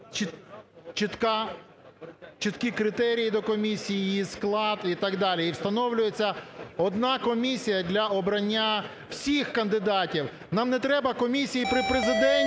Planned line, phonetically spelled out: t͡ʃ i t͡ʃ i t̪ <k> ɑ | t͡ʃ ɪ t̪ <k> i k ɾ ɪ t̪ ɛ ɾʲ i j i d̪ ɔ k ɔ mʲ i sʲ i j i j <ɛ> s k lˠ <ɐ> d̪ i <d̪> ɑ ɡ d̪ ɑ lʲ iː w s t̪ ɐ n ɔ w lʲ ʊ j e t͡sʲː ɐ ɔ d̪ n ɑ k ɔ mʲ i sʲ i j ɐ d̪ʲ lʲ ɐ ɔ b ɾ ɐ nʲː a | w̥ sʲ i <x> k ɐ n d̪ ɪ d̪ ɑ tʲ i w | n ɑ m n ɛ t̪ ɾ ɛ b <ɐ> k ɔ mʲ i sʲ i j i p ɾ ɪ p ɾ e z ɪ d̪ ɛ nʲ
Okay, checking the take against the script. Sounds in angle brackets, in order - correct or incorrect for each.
correct, correct, incorrect: i, incorrect: ɑ, incorrect: t̪, correct, correct

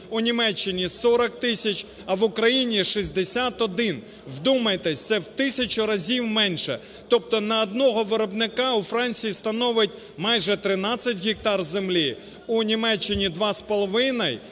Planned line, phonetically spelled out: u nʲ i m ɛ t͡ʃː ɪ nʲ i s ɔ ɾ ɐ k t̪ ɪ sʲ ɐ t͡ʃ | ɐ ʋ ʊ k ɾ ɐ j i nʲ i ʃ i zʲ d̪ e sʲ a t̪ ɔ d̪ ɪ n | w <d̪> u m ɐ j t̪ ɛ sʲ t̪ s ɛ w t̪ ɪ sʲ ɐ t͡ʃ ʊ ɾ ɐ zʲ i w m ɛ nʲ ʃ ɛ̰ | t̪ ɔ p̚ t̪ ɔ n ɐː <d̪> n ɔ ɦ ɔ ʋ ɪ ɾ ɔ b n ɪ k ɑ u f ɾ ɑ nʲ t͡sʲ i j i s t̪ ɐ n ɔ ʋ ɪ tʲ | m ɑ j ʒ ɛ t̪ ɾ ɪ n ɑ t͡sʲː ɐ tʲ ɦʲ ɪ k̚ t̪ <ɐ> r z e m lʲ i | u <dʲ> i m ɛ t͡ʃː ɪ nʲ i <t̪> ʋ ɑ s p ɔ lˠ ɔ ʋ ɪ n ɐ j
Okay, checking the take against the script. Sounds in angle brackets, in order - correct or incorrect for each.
correct, correct, incorrect: ɑ, incorrect: nʲ, incorrect: d̪

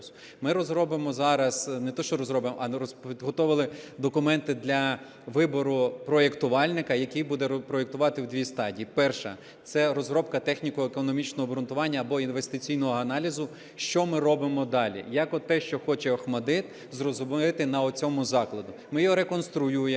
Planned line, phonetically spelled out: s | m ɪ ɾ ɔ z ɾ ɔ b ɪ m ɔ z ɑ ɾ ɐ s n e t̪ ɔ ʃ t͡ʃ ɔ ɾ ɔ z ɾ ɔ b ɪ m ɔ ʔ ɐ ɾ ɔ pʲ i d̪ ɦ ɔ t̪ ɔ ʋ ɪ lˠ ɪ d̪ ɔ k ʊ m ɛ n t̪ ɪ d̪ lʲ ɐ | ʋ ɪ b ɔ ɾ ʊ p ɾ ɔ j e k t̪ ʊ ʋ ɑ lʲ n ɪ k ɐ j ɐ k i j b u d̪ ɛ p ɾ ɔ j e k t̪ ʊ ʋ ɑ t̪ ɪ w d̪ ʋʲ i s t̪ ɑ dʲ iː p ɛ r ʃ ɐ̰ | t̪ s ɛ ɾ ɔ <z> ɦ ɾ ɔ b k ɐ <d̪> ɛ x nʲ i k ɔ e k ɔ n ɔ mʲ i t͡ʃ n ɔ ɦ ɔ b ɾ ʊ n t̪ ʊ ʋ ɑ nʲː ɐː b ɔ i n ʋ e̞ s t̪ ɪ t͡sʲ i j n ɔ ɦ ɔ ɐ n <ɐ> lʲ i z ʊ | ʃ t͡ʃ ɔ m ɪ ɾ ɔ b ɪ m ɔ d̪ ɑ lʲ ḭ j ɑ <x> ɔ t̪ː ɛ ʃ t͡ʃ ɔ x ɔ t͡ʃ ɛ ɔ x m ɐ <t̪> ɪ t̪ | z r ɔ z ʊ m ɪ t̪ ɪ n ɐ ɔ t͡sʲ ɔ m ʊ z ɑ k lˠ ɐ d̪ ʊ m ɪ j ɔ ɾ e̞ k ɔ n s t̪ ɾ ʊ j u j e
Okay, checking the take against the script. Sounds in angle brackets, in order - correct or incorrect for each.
correct, incorrect: t̪, incorrect: ɑ, incorrect: k, incorrect: d̪

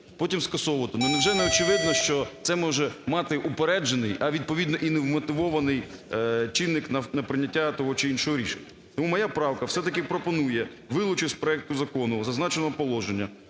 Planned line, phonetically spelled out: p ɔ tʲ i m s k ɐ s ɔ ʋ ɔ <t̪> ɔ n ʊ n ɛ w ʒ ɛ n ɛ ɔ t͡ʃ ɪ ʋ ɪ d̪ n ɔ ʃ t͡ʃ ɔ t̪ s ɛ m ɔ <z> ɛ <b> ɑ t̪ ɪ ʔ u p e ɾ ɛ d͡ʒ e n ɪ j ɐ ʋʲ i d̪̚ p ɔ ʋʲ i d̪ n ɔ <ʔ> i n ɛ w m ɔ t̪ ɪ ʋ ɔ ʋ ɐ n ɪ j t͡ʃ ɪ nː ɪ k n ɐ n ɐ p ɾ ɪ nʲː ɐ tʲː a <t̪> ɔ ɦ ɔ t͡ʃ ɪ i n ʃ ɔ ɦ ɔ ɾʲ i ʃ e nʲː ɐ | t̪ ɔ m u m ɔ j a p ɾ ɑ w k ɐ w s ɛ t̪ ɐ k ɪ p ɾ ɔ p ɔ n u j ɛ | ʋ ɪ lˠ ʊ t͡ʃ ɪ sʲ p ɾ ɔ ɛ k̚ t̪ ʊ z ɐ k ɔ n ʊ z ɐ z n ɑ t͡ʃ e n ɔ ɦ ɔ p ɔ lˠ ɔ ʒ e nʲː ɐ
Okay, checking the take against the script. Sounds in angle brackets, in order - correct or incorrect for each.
correct, incorrect: ʒ, incorrect: m, correct, correct

